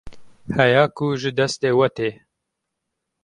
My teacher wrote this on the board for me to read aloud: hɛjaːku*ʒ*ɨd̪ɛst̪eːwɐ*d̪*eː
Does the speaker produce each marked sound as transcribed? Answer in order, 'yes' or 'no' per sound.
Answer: yes, no

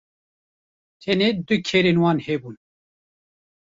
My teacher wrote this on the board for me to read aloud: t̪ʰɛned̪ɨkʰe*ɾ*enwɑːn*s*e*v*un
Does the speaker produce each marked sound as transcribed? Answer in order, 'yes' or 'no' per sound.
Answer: yes, no, no

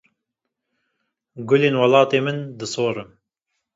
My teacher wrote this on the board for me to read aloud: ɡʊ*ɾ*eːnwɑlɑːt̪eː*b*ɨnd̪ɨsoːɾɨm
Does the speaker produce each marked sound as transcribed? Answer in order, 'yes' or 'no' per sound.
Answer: no, no

